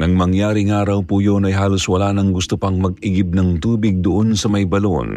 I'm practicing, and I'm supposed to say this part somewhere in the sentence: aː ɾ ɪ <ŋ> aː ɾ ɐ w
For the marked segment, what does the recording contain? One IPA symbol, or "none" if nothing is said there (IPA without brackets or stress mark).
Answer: ŋ